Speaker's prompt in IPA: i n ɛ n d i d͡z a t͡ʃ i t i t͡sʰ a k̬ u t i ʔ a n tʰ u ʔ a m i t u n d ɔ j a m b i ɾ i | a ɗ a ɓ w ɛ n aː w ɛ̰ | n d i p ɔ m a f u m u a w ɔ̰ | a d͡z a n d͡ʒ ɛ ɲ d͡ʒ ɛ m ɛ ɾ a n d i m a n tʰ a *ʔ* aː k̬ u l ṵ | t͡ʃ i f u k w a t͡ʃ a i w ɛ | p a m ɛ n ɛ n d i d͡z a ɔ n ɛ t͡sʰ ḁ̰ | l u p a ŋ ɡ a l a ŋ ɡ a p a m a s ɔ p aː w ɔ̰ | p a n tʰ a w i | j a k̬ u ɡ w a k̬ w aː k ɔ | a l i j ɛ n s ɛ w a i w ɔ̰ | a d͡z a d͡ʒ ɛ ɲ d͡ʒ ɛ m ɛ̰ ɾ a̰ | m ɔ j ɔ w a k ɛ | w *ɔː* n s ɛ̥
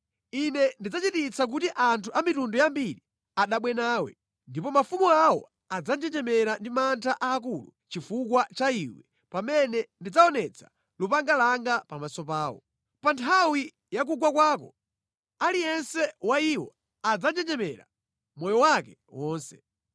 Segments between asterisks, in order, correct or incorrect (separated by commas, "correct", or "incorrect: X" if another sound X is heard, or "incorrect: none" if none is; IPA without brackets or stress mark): correct, correct